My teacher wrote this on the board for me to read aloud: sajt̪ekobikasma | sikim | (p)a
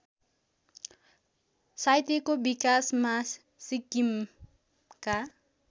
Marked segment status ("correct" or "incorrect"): incorrect